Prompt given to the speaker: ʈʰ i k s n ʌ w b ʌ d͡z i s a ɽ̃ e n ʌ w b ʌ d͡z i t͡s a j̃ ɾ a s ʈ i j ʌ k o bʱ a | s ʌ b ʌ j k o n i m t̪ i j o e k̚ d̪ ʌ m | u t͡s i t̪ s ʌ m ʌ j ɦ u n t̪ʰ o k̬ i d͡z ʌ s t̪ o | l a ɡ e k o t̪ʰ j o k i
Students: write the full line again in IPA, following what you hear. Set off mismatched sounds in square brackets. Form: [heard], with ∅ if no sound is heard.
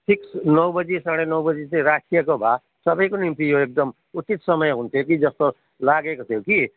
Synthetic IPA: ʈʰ i k s n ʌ w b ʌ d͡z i s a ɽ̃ e n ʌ w b ʌ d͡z i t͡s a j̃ ɾ a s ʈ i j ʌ k o bʱ a | s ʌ b ʌ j k o n i m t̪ i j o e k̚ d̪ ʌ m | u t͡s i t̪ s ʌ m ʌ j ɦ u n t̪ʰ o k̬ i d͡z ʌ s t̪ o | l a ɡ e k o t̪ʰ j o k i